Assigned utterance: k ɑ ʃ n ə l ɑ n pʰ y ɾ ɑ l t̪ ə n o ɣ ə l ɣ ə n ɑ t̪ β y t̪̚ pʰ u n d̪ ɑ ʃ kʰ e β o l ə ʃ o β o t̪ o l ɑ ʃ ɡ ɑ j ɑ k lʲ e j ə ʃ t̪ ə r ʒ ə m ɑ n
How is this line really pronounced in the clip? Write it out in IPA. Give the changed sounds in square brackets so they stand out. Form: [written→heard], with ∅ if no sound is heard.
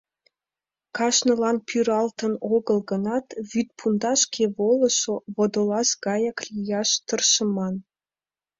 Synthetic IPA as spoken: k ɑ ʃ n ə l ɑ n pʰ y ɾ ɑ l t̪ ə n o ɣ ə l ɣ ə n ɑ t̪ β y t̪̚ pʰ u n d̪ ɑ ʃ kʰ e β o l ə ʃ o β o [t̪→d̪] o l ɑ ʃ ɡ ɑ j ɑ k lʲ [e→i] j [ə→ɑ] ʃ t̪ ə r [ʒ→ʃ] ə m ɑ n

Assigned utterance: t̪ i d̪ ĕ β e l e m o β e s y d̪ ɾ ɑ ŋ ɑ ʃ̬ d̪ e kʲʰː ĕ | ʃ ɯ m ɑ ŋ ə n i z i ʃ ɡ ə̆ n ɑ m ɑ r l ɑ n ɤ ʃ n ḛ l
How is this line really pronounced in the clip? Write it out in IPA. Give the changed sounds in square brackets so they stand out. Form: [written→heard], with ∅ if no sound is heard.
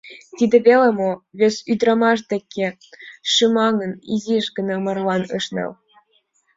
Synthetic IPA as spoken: t̪ i d̪ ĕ β e l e m o β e s y d̪ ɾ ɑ [ŋ→m] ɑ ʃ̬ d̪ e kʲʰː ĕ | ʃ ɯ m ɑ ŋ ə n i z i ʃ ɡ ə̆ n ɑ m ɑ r l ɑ n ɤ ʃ n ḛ l

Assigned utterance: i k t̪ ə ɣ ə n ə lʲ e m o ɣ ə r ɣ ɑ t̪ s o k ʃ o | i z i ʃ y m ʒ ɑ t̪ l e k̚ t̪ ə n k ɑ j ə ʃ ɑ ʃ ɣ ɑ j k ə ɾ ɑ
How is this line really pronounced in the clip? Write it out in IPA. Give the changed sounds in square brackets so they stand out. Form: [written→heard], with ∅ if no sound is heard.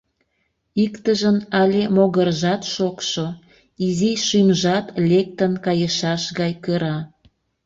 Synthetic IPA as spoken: i k t̪ ə [ɣ→ʒ] ə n [ə→ɑ] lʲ e m o ɣ ə r [ɣ→ʒ] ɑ t̪ [s→ʃ] o k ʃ o | i z i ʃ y m ʒ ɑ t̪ l e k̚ t̪ ə n k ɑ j ə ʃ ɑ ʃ ɣ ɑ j k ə ɾ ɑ

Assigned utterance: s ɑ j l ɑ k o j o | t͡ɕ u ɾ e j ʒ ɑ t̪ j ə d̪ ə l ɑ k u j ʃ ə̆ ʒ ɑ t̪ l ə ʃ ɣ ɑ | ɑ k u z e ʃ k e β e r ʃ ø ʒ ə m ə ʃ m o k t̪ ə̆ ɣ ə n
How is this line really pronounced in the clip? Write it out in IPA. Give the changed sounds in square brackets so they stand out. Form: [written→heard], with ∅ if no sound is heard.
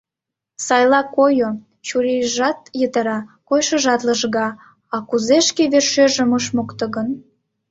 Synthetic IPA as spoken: s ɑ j l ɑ k o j o | t͡ɕ u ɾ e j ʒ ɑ t̪ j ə [d̪→t̪] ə [l→ɾ] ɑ k [u→o] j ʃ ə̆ ʒ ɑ t̪ l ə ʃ ɣ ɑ | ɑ k u z e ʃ k e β e r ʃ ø ʒ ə m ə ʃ m o k t̪ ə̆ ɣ ə n

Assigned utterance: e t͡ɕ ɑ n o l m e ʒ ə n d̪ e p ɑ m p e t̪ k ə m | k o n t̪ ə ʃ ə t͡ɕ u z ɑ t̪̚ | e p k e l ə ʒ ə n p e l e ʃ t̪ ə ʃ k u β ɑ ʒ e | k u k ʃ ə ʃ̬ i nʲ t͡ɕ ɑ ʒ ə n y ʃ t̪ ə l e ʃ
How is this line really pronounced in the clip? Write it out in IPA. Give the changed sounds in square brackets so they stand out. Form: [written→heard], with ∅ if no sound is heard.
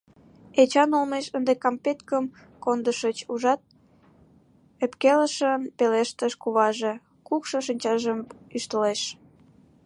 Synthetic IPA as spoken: e t͡ɕ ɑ n o l m e [ʒ→ʃ] ə n d̪ e [p→k] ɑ m p e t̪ k ə m | k o n [t̪→d̪] ə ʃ ə t͡ɕ u [z→ʒ] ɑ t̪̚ | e p k e l ə [ʒ→ʃ] ə n p e l e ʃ t̪ ə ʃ k u β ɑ ʒ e | k u k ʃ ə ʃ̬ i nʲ t͡ɕ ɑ ʒ ə [n→m] y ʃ t̪ ə l e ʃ

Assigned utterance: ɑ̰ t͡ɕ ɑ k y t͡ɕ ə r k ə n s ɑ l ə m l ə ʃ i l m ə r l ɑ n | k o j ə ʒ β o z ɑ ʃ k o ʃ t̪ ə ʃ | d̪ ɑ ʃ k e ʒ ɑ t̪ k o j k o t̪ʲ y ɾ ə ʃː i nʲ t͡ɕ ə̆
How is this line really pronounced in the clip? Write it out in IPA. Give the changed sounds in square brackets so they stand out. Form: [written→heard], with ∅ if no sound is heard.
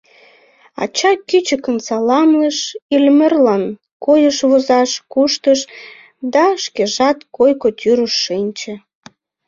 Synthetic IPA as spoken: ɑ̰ t͡ɕ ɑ k y t͡ɕ ə [r→∅] k ə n s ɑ l [ə→ɑ] m l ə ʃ i l m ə r l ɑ n | k o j ə [ʒ→ʃ] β o z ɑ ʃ k [o→u] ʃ t̪ ə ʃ | d̪ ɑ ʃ k e ʒ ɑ t̪ k o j k o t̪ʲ y ɾ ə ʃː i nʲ t͡ɕ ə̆

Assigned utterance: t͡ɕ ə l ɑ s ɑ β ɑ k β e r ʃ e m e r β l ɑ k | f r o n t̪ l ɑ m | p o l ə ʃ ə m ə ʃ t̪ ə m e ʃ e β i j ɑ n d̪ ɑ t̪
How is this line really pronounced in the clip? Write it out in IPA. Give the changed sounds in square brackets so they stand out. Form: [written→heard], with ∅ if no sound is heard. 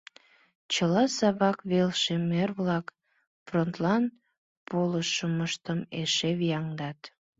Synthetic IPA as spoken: t͡ɕ ə l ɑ s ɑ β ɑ k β e [r→l] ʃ e m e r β l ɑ k | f r o n t̪ l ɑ [m→n] | p o l ə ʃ ə m ə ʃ t̪ ə m e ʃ e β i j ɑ [n→ŋ] d̪ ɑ t̪

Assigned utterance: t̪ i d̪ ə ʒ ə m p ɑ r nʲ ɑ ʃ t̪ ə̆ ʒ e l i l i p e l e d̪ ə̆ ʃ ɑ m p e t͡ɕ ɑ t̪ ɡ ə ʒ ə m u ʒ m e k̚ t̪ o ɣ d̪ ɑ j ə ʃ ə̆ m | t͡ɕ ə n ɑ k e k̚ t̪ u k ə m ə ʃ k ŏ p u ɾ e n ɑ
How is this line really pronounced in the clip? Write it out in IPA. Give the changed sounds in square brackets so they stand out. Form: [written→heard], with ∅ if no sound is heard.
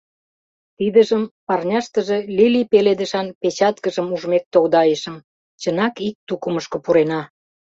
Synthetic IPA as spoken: t̪ i d̪ ə ʒ ə m p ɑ r nʲ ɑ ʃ t̪ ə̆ ʒ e l i l i p e l e d̪ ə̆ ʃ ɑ [m→n] p e t͡ɕ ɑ t̪ [ɡ→k] ə ʒ ə m u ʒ m e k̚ t̪ o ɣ d̪ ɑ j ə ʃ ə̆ m | t͡ɕ ə n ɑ k [e→i] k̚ t̪ u k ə m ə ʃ k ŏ p u ɾ e n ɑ

